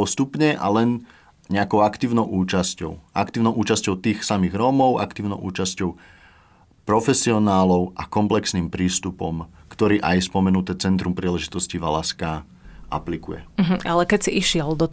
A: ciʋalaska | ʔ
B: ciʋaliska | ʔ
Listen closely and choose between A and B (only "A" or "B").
A